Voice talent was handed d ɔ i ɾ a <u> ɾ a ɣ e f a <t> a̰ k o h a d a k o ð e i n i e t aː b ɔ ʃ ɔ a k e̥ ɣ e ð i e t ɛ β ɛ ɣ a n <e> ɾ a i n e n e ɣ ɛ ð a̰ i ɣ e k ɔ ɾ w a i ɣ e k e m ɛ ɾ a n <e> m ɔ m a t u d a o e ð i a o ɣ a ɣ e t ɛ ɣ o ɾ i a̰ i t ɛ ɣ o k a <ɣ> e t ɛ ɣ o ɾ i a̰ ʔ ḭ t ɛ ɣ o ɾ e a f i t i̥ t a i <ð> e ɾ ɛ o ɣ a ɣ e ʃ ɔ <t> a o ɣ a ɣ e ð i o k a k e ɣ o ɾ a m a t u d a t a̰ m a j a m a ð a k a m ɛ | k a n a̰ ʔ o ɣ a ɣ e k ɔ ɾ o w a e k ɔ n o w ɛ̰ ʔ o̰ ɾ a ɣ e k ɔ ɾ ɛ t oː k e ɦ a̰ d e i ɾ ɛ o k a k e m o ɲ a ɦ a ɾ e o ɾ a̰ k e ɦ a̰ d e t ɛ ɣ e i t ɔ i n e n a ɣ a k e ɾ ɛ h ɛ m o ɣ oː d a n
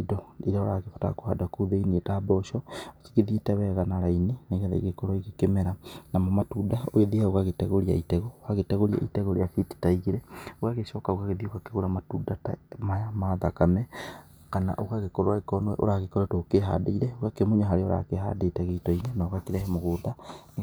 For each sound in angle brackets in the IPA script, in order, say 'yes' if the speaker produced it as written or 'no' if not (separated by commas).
no, yes, no, no, yes, no, no